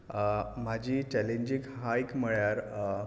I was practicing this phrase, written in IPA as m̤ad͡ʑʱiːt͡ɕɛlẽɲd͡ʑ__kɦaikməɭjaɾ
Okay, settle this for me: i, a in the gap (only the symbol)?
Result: i